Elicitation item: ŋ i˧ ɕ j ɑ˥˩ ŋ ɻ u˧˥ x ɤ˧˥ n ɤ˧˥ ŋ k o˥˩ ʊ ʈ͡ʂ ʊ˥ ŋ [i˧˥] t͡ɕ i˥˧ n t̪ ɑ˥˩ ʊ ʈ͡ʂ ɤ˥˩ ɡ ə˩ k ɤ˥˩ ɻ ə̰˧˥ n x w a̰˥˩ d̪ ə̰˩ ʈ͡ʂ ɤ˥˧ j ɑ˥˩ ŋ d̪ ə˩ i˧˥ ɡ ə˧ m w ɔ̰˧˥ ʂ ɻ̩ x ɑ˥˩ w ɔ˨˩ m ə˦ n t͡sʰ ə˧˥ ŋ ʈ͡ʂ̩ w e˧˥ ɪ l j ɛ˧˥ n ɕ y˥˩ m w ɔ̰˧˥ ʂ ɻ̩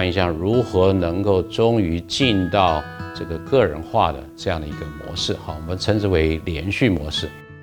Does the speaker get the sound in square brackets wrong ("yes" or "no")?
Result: yes